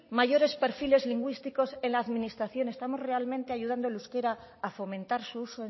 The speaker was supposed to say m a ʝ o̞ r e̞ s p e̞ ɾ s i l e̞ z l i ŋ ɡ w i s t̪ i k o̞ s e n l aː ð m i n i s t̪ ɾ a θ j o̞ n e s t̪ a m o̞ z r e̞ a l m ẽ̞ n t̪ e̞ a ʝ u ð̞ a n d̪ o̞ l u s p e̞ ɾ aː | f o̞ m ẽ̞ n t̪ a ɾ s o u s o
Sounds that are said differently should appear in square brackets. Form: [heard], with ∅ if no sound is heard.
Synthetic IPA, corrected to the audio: m a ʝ o̞ [ɾ] e̞ s p e̞ ɾ [f] i l e̞ z l i ŋ ɡ w i s t̪ i k o̞ s e n l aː ð m i n i s t̪ ɾ a θ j o̞ n e s t̪ a m o̞ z r e̞ a l m ẽ̞ n t̪ e̞ a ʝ u ð̞ a n d̪ o̞ l u s [k] e̞ ɾ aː | f o̞ m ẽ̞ n t̪ a ɾ s [u] u s o